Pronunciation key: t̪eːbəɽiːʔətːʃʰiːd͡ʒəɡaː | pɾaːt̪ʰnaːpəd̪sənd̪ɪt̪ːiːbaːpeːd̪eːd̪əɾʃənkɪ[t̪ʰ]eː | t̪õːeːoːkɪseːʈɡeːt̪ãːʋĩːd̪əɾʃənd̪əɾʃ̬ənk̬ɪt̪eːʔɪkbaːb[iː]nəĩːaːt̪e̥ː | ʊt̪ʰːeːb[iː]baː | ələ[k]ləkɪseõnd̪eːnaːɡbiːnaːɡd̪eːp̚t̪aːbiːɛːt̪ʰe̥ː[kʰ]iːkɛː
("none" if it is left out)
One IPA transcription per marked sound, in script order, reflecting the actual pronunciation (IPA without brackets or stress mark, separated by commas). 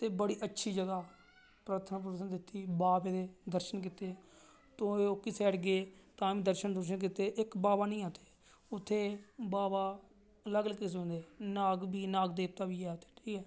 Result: t̪, aː, aː, ɡ, ʈʰ